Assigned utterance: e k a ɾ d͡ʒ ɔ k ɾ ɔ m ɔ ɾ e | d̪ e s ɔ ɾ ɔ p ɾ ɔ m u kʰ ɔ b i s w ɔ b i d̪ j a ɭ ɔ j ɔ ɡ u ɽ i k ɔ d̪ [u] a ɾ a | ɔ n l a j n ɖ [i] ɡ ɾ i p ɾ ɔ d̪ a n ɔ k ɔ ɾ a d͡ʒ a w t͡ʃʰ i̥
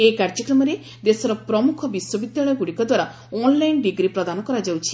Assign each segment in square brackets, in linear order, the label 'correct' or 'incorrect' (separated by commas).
incorrect, correct